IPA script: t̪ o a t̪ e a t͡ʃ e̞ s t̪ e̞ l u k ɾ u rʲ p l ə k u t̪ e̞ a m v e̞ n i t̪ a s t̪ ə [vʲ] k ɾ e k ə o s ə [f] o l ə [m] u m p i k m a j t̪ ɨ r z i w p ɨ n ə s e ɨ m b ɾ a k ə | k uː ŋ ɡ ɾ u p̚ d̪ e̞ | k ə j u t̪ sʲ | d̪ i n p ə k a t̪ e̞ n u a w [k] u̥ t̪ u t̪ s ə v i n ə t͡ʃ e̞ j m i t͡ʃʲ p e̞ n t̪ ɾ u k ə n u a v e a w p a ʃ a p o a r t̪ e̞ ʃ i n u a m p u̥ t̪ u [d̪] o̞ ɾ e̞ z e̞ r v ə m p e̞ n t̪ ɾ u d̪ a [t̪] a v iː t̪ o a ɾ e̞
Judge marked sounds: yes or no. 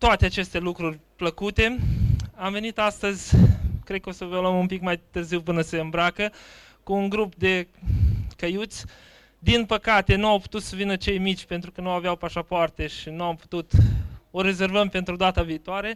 no, no, yes, no, no, yes

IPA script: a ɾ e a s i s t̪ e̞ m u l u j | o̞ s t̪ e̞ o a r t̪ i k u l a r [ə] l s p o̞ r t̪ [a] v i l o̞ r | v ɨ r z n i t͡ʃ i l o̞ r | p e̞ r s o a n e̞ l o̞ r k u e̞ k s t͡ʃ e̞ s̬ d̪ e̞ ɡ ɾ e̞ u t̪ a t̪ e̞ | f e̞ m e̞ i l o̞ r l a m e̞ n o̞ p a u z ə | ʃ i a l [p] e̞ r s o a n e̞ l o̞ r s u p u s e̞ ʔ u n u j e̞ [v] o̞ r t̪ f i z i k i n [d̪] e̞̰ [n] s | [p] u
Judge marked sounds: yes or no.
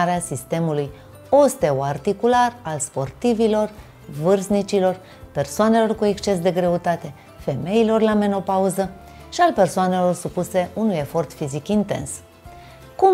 no, no, yes, no, no, yes, no

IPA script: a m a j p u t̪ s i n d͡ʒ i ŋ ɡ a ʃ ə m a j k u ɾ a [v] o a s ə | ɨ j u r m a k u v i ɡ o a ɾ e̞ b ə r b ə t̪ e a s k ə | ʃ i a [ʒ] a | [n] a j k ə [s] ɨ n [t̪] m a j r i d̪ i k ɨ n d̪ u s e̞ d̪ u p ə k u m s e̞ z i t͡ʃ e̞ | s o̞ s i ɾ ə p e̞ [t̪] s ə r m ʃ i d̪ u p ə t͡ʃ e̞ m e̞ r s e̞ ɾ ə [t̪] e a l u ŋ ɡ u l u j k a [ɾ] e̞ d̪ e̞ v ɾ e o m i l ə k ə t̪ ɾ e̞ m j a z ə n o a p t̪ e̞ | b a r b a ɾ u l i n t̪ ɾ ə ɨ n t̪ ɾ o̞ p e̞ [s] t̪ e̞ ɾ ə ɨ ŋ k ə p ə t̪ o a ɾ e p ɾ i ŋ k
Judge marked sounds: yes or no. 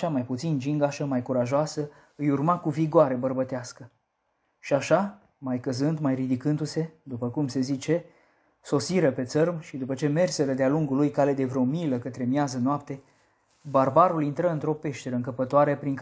no, no, no, no, no, yes, no, no, no

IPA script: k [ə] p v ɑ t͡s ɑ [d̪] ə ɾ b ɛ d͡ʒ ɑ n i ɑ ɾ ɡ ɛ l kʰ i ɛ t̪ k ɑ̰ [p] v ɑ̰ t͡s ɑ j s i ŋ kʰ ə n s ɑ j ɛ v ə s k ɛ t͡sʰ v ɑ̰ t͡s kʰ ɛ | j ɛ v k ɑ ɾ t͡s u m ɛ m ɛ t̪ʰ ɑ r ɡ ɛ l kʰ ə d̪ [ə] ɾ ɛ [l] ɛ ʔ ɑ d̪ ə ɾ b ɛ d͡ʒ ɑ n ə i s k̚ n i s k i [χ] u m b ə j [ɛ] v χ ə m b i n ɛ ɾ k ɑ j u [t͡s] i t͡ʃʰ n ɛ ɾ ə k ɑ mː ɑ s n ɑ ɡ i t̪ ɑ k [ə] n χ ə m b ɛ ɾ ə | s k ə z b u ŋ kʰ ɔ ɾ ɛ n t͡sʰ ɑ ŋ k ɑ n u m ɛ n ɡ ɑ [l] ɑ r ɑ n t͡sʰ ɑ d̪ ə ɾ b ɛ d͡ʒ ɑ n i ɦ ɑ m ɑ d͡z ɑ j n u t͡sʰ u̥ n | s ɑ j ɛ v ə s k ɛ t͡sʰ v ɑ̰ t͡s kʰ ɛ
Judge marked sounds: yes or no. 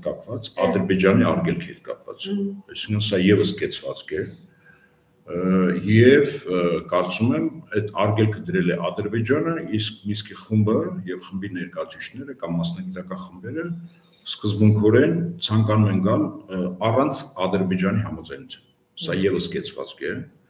no, yes, yes, yes, yes, yes, yes, no, no, yes

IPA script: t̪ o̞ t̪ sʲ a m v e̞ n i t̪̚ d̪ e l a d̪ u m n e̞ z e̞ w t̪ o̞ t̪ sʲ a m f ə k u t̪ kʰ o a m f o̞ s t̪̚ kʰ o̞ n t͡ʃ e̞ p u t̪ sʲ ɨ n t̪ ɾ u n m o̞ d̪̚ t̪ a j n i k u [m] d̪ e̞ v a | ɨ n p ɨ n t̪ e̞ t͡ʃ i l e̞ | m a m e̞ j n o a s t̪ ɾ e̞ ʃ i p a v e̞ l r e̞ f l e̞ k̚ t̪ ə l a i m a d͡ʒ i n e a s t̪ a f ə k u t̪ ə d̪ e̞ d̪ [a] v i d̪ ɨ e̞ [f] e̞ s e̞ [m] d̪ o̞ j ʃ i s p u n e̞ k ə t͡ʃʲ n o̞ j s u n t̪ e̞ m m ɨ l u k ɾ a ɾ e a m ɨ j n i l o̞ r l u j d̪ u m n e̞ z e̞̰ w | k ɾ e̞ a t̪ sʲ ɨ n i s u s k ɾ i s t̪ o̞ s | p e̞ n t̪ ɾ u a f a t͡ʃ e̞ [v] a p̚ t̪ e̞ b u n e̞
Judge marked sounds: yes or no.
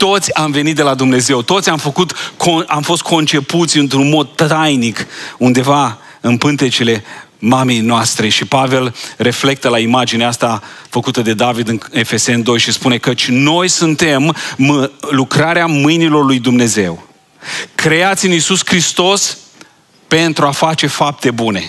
no, yes, yes, no, no

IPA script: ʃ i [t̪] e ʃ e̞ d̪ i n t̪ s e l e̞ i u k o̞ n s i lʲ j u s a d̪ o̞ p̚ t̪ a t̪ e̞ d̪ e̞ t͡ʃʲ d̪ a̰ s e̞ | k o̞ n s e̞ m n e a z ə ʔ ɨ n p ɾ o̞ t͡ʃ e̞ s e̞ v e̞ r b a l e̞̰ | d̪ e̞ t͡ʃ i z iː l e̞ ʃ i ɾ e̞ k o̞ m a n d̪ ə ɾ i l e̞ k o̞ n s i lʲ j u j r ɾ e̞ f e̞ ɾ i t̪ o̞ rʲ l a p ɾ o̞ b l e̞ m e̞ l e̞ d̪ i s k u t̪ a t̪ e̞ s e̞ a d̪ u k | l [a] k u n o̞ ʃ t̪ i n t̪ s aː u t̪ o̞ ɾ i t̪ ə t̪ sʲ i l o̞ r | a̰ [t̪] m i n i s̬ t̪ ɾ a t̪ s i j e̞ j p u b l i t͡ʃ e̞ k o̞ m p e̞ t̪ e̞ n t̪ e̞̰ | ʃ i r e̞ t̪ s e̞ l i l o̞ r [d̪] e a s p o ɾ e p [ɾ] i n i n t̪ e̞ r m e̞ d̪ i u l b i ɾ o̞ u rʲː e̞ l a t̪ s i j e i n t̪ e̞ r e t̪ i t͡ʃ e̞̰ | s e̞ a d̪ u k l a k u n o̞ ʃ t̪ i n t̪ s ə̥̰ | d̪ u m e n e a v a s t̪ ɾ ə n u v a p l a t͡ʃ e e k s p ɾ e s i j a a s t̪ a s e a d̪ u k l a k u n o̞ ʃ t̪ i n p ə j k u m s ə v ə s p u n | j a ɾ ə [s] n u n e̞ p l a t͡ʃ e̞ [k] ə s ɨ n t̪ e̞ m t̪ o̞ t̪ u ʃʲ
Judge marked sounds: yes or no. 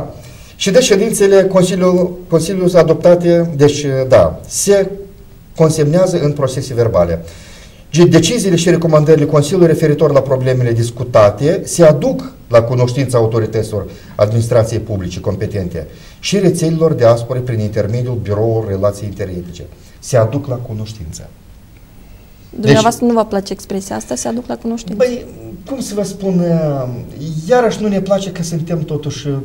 no, yes, no, yes, yes, no, yes

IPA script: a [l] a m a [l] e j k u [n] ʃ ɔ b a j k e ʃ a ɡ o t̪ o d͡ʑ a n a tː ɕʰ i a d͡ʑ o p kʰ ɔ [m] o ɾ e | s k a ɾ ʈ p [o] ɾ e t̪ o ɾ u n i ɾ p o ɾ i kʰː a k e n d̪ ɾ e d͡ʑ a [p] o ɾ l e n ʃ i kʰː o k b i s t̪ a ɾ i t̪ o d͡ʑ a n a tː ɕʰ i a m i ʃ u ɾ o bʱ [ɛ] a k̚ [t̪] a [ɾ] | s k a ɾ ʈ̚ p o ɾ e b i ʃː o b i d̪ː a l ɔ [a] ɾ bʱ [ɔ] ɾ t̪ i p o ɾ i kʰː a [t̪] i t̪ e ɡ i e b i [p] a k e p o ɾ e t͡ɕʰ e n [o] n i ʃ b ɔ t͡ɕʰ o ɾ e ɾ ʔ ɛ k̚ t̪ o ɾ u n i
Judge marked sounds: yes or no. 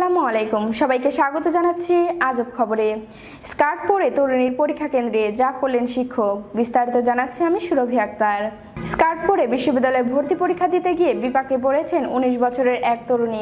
yes, yes, no, no, yes, no, no, yes, yes, no, no, no, yes, no

